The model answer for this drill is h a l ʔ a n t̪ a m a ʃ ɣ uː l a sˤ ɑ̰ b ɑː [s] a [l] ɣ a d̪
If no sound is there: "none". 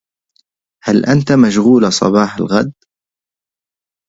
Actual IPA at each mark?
ħ, l

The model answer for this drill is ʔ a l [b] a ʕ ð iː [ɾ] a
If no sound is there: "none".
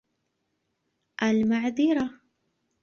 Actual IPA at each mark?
m, ɾ

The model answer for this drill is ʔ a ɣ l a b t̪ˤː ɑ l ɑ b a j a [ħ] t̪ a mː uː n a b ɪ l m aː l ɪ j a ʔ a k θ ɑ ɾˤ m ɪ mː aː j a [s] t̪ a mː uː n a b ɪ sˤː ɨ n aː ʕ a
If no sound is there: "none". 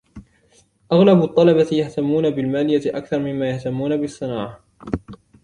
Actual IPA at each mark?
h, h

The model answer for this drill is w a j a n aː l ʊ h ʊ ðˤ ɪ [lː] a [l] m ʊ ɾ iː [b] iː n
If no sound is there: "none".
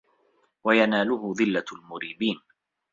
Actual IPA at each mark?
lː, l, b

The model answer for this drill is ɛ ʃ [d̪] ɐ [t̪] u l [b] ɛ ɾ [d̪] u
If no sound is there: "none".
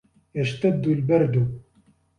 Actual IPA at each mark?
t̪, d̪, b, d̪

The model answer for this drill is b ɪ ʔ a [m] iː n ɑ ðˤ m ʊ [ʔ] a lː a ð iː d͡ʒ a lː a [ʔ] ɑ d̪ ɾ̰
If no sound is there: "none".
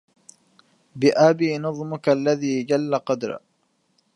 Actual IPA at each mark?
b, k, q

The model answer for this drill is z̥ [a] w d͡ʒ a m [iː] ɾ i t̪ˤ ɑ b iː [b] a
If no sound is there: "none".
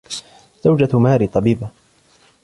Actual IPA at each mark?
a, aː, b

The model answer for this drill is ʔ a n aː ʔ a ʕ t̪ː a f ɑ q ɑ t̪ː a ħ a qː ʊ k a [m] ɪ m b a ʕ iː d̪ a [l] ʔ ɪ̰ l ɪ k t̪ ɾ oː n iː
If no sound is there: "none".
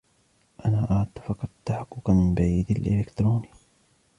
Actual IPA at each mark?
m, l

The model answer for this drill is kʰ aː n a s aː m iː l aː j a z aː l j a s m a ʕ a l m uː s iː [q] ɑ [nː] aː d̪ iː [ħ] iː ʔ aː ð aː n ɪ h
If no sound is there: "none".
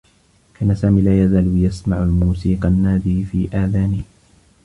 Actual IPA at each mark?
q, nː, f

